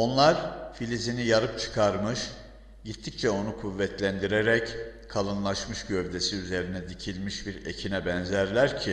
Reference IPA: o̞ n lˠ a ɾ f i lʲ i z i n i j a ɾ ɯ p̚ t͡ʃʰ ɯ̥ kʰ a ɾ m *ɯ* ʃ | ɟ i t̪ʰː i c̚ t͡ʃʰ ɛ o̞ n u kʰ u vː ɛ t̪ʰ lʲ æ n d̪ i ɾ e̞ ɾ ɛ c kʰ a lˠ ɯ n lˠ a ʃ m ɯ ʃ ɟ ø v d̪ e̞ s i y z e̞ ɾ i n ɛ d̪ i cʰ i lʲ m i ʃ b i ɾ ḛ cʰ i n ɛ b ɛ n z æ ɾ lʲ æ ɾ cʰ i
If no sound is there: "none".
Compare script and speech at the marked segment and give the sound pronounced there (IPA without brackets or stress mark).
ɯ